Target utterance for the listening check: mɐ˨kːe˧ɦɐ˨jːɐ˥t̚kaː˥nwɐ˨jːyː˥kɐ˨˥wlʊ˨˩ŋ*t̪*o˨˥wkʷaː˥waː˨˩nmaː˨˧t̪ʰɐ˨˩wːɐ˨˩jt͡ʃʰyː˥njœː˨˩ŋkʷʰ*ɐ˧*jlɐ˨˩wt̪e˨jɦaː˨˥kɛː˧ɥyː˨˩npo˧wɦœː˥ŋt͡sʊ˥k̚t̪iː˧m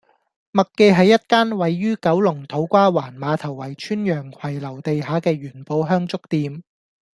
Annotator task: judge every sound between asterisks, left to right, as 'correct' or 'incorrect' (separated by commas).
incorrect, incorrect